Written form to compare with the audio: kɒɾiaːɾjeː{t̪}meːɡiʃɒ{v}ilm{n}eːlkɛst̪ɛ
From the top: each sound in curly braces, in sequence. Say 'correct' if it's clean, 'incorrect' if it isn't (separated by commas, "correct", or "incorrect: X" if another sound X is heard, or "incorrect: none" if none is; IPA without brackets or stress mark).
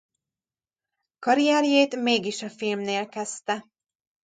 correct, incorrect: f, correct